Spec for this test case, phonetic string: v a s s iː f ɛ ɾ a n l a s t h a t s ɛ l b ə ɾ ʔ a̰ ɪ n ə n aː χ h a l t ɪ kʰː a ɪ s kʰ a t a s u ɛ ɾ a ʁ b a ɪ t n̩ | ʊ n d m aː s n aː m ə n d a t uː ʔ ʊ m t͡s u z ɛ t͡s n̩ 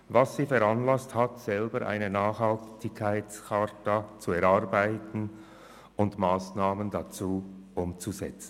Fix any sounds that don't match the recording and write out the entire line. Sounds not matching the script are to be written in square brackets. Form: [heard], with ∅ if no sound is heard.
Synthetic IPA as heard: v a s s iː f ɛ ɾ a n l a s t h a t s ɛ l b ə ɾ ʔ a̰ ɪ n ə n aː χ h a l t ɪ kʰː a ɪ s kʰ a t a [t͡s] u ɛ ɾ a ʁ b a ɪ t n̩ | ʊ n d m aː s n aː m ə n d a [t͡s] uː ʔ ʊ m t͡s u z ɛ t͡s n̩